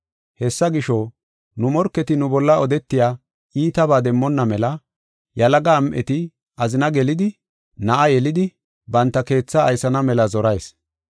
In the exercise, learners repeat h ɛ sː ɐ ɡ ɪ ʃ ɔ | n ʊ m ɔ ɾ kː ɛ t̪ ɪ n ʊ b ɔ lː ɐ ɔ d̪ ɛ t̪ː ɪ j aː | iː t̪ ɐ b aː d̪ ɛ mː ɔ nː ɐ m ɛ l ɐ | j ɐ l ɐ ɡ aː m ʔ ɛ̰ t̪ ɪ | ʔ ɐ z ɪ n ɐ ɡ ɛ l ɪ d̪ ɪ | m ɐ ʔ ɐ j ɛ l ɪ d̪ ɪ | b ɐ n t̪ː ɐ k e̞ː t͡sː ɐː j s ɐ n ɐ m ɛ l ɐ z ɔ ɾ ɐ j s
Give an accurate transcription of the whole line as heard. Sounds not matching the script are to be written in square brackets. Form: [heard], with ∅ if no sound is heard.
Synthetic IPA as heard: h ɛ sː ɐ ɡ ɪ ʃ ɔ | n ʊ m ɔ ɾ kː ɛ t̪ ɪ n ʊ b ɔ lː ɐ ɔ d̪ ɛ t̪ː ɪ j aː | iː t̪ ɐ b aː d̪ ɛ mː ɔ nː ɐ m ɛ l ɐ | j ɐ l ɐ ɡ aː m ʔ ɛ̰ t̪ ɪ | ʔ ɐ z ɪ n ɐ ɡ ɛ l ɪ d̪ ɪ | [n] ɐ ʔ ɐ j ɛ l ɪ d̪ ɪ | b ɐ n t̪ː ɐ k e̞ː t͡sː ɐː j s ɐ n ɐ m ɛ l ɐ z ɔ ɾ ɐ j s